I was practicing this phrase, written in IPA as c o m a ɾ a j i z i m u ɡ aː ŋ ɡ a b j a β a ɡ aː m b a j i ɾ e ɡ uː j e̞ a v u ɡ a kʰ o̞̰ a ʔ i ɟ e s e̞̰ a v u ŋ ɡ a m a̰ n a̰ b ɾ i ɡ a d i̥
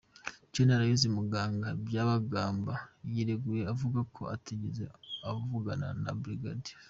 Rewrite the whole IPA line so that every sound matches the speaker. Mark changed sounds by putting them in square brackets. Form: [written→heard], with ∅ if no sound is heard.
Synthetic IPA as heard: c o [m→n] a ɾ a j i z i m u ɡ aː ŋ ɡ a b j a β a ɡ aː m b a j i ɾ e ɡ [uː→u] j e̞ a v u ɡ a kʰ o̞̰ a [ʔ→t] i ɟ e [s→z] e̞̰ a v u [ŋ→∅] ɡ a [m→n] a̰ n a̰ b ɾ i ɡ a d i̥